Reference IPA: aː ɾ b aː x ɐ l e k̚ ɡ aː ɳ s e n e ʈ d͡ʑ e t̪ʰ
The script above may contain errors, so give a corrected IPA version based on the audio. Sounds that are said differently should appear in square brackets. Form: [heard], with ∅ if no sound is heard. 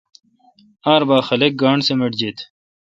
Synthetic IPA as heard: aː ɾ b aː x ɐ l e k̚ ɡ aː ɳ s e [m] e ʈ d͡ʑ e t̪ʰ